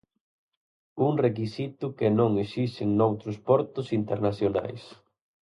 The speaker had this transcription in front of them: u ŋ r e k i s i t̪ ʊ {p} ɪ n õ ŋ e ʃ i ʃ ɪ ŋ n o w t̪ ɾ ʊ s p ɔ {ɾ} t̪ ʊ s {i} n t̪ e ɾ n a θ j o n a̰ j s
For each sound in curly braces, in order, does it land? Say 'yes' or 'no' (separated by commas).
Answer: no, yes, yes